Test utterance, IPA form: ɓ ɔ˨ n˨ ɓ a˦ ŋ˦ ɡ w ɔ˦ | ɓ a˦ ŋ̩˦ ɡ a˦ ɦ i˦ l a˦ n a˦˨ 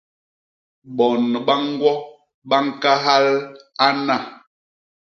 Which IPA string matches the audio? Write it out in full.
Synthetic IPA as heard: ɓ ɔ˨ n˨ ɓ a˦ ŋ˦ ɡ w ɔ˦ | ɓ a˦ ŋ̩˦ k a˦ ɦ a˦ l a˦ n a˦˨

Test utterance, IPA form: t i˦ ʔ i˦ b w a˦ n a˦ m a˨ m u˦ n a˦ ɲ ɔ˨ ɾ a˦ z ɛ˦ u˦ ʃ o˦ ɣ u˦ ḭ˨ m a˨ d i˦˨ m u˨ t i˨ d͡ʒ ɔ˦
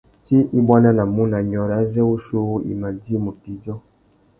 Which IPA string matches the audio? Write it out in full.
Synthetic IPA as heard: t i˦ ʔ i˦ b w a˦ n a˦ n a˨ m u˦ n a˨ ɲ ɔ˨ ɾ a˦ z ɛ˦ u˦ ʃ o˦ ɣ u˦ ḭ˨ m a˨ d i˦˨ m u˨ t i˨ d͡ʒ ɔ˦

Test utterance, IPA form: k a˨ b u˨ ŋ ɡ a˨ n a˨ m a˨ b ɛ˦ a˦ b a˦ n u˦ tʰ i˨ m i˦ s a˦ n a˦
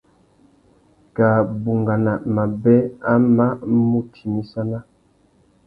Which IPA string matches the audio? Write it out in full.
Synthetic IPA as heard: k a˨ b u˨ ŋ ɡ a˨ n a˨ m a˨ b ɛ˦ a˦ m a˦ m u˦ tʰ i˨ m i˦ s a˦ n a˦

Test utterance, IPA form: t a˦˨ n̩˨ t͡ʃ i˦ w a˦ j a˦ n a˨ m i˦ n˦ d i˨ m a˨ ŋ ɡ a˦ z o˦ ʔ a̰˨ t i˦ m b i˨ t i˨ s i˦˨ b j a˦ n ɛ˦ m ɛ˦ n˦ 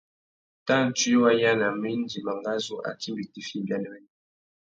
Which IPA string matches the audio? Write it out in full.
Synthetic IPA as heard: t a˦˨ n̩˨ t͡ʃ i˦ w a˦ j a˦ n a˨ m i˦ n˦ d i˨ m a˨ ŋ ɡ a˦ z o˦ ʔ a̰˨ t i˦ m b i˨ t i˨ f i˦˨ b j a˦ n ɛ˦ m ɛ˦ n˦

